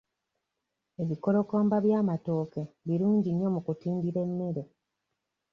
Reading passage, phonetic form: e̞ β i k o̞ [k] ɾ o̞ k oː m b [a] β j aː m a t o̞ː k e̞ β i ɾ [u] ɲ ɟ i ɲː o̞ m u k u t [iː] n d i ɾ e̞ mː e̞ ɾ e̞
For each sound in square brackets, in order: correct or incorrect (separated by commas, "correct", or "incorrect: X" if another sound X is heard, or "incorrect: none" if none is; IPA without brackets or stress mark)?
incorrect: none, correct, incorrect: uː, correct